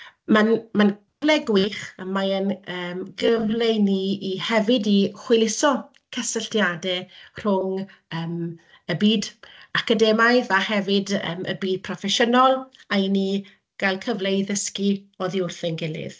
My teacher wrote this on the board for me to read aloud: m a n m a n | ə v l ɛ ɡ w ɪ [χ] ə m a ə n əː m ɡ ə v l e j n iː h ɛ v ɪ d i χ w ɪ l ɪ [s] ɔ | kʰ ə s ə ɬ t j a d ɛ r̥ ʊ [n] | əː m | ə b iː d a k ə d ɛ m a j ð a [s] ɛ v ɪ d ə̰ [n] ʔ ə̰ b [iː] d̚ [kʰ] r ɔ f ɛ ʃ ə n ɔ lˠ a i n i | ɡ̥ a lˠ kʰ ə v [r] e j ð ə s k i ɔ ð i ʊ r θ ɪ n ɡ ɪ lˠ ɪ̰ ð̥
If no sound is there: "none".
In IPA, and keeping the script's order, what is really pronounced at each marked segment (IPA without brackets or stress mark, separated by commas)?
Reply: χ, s, ŋ, h, m, iː, pʰ, l